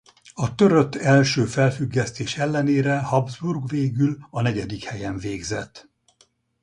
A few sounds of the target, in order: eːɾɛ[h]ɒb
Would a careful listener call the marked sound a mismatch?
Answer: no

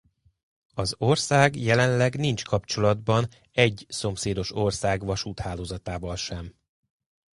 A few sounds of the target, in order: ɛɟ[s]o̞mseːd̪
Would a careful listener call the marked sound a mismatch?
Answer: no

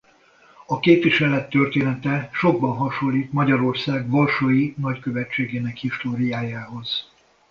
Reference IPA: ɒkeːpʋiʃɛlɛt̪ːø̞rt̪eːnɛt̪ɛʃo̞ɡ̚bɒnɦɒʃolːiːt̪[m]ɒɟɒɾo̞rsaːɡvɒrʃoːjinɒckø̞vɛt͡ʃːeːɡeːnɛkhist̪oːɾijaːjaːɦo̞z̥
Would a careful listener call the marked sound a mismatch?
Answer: no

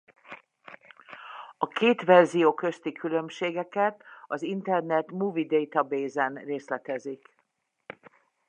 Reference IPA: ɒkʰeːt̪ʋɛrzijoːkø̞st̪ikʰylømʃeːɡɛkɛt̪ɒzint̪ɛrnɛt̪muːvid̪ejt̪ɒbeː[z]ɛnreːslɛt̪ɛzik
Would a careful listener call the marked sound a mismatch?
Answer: no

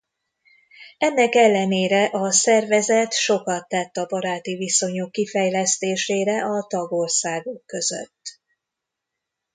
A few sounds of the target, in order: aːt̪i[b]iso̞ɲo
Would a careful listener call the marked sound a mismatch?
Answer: yes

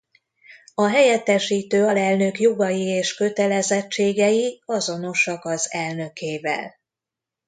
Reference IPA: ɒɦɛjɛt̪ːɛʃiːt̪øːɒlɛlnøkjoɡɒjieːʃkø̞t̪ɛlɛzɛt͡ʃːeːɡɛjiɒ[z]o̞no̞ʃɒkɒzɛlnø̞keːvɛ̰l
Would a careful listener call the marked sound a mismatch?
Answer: no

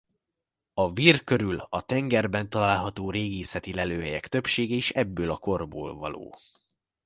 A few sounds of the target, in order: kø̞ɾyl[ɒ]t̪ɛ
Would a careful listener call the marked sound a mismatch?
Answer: no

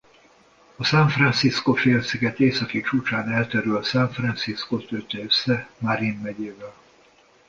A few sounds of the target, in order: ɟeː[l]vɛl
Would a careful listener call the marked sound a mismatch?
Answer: yes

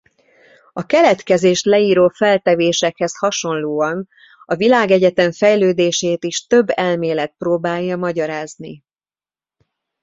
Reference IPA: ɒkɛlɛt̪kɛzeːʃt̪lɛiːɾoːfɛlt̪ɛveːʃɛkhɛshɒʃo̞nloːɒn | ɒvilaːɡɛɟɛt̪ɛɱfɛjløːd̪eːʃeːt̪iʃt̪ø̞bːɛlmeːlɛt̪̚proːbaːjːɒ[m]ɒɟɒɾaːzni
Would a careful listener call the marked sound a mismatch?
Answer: no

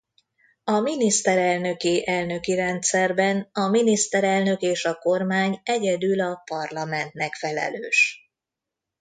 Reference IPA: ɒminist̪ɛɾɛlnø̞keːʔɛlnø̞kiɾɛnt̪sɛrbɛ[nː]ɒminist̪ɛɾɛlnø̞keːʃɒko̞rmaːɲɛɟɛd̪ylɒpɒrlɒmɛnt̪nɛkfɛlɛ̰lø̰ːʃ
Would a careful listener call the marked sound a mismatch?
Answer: yes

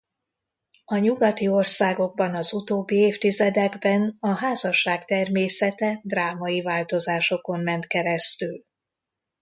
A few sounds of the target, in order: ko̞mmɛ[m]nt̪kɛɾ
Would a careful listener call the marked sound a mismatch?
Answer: yes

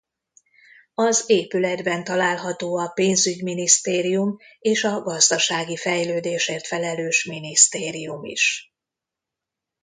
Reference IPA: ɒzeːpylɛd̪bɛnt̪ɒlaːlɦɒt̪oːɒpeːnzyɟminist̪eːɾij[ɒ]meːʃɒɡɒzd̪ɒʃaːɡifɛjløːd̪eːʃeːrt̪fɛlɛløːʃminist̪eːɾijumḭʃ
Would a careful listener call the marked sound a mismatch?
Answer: yes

